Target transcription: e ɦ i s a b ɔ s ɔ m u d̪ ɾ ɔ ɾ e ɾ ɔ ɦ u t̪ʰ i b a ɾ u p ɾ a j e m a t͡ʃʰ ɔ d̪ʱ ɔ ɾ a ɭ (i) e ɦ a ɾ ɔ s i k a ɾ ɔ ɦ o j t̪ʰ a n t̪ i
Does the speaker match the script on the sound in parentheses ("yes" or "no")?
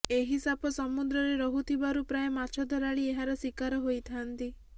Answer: yes